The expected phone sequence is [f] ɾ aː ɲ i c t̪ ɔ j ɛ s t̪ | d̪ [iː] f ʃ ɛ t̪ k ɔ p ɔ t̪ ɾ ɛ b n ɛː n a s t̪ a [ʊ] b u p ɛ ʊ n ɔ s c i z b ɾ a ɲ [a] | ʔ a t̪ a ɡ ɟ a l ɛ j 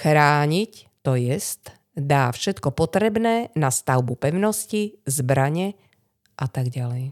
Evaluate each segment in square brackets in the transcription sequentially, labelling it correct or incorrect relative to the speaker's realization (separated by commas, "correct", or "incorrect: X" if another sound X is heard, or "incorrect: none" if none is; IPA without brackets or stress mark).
incorrect: x, incorrect: aː, correct, incorrect: ɛ